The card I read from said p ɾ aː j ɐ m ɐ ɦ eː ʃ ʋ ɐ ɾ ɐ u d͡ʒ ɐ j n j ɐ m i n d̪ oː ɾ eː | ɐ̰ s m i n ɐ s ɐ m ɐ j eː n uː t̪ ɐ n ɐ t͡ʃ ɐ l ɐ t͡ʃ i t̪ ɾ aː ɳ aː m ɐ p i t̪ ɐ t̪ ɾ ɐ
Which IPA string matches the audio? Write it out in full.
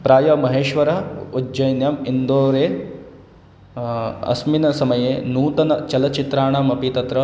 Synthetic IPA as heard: p ɾ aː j ɐ m ɐ ɦ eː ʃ ʋ ɐ ɾ ɐ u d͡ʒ ɐ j n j ɐ m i n d̪ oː ɾ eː | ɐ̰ s m i n ɐ s ɐ m ɐ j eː n uː t̪ ɐ n ɐ t͡ʃ ɐ l ɐ t͡ʃ i t̪ ɾ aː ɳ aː m ɐ p i t̪ ɐ t̪ ɾ ɐ